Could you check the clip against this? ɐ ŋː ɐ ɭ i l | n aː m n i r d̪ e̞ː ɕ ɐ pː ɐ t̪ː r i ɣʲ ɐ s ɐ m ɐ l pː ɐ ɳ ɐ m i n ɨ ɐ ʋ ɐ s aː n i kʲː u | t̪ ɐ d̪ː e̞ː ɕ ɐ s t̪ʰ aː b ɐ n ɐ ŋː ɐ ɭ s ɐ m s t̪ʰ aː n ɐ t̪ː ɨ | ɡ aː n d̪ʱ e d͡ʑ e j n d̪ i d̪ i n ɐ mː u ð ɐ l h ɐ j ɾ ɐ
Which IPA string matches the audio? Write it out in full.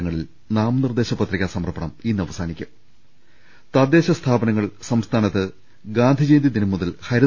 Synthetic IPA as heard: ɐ ŋː ɐ ɭ i l | n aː m n i r d̪ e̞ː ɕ ɐ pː ɐ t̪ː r i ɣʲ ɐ s ɐ m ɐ r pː ɐ ɳ ɐ m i nː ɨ ɐ ʋ ɐ s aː n i kʲː u | t̪ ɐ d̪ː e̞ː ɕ ɐ s t̪ʰ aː b ɐ n ɐ ŋː ɐ ɭ s ɐ m s t̪ʰ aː n ɐ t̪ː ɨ | ɡ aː n d̪ʱ i d͡ʑ e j n d̪ i d̪ i n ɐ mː u ð ɐ l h ɐ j ɾ ɐ